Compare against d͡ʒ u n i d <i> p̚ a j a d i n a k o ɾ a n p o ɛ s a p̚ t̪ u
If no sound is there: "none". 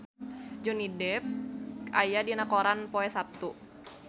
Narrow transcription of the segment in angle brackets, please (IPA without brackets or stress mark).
ɛ